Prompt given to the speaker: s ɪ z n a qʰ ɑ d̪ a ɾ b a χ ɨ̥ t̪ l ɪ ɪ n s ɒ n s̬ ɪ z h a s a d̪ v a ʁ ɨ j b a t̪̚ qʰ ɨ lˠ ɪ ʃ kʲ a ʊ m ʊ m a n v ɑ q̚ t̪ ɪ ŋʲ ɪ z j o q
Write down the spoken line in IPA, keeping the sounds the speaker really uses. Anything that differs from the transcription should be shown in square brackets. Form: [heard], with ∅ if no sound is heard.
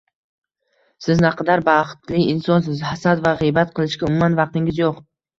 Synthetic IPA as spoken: s ɪ z n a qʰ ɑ d̪ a ɾ b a χ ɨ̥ t̪ l ɪ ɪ n s ɒ n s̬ ɪ z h a s a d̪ v a ʁ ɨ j b a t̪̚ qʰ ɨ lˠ ɪ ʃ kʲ a ʊ m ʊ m a n v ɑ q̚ t̪ ɪ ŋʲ ɪ z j o q